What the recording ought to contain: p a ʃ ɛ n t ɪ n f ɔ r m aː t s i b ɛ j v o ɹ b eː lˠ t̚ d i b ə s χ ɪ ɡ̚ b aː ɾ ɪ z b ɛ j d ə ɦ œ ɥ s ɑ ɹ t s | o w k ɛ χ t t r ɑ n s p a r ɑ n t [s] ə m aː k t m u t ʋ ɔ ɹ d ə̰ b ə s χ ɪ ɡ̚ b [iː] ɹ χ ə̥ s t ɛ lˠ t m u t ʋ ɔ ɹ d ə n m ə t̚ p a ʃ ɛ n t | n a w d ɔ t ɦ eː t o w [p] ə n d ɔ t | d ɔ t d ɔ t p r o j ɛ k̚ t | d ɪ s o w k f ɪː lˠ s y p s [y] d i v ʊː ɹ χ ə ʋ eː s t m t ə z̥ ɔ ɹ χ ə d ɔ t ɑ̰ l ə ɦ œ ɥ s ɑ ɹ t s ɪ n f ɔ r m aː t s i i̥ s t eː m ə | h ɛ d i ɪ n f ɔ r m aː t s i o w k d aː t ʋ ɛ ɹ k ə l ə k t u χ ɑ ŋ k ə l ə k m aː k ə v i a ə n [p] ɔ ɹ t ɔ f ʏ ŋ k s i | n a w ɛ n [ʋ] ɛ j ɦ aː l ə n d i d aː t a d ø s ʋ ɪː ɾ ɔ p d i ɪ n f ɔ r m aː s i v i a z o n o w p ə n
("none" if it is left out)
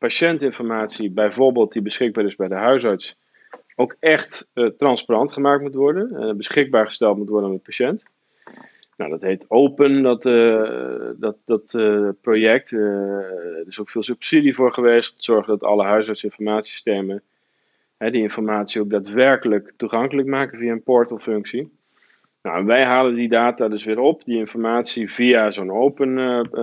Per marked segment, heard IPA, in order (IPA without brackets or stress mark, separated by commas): χ, aː, p, i, p, ʋ